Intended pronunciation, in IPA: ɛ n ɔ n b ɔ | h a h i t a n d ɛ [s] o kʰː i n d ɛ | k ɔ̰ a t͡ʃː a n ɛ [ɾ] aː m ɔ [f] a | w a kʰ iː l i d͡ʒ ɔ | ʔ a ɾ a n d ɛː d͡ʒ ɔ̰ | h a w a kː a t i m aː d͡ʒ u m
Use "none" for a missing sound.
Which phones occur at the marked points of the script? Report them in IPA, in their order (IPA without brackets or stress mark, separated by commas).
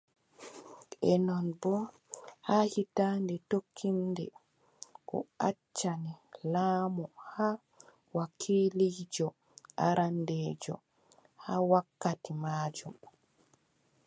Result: t, l, h